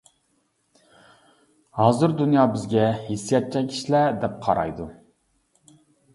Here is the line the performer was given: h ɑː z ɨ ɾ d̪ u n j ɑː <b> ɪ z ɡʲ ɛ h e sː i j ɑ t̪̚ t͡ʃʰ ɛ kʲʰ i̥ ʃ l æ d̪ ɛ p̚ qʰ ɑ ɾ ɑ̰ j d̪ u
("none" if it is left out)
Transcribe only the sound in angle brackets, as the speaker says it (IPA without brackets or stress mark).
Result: b